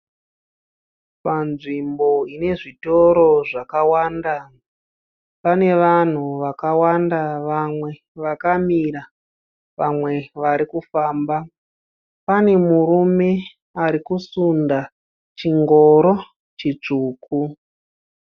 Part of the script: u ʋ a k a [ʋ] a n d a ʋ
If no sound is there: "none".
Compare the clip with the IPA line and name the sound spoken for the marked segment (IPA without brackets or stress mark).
w